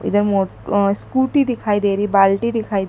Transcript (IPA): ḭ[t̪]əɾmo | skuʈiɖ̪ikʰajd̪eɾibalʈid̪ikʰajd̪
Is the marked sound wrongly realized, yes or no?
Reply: yes